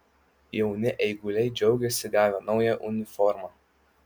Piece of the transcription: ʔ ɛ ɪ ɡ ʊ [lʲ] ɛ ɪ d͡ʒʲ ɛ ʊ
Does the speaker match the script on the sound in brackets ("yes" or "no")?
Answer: yes